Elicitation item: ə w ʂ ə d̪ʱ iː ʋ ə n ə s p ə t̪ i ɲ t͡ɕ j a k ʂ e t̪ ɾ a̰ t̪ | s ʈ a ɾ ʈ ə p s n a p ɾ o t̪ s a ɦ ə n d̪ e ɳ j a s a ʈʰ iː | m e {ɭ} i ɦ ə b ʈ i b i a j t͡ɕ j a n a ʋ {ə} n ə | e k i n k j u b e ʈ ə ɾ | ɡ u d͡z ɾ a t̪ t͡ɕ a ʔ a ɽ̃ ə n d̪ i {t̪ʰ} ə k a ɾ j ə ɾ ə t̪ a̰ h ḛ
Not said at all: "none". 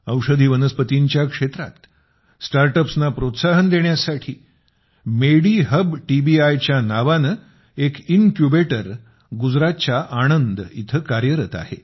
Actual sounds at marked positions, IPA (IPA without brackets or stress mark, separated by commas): ɽ, a, t̪ʰ